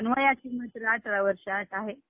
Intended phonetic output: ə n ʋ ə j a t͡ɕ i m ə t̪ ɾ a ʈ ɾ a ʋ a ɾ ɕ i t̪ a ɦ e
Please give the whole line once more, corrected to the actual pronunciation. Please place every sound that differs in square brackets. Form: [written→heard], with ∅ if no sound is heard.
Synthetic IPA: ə n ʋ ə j a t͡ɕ i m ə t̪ ɾ a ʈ ɾ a ʋ [a→ə] ɾ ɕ [i→a] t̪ a ɦ e